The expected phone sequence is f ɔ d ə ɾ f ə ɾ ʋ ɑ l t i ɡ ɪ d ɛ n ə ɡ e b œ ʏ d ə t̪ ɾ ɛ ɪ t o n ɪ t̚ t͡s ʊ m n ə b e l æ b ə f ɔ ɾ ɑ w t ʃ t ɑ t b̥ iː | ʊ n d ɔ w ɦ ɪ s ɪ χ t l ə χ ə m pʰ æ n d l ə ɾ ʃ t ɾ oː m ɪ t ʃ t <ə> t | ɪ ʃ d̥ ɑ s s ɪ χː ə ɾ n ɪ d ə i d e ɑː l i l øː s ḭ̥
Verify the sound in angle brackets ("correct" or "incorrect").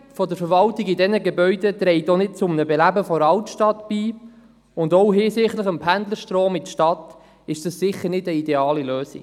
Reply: incorrect